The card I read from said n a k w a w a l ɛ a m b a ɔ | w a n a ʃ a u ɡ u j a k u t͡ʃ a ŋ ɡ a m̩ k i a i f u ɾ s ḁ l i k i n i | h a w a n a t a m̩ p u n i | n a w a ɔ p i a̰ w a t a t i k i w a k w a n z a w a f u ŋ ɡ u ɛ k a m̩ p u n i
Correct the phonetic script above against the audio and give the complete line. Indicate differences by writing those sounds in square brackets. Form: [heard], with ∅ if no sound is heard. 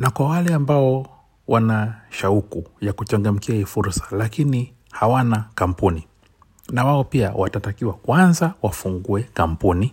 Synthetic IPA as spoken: n a k w a w a l ɛ a m b a ɔ | w a n a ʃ a u [k] u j a k u t͡ʃ a ŋ ɡ a m̩ k i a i f u ɾ s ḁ l [a] k i n i | h a w a n a [k] a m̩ p u n i | n a w a ɔ p i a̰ w a t a t [a] k i w a k w a n z a w a f u ŋ ɡ u ɛ k a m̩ p u n i